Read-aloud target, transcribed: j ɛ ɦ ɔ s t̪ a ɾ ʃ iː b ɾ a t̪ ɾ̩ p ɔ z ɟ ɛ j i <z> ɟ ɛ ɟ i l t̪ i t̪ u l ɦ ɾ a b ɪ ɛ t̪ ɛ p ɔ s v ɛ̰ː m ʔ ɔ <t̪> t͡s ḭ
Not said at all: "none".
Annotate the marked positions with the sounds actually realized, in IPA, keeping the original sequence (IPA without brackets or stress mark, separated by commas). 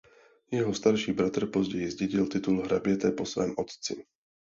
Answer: z, t̪